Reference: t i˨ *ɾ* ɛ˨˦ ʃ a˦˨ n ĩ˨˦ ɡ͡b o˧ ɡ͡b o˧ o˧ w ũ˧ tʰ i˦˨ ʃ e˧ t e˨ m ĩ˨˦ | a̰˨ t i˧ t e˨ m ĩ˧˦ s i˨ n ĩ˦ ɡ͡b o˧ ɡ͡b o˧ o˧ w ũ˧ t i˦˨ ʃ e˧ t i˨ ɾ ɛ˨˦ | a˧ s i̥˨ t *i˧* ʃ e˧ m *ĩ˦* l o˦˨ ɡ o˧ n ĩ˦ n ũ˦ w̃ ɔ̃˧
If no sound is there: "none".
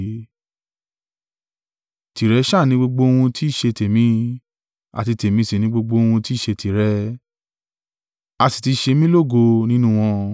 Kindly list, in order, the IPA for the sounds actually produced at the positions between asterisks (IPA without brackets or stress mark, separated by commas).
ɾ, i˧, ĩ˦